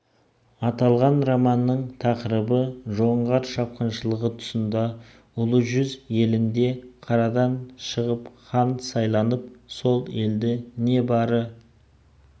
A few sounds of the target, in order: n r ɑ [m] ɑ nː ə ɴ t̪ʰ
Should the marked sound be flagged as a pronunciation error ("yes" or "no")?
no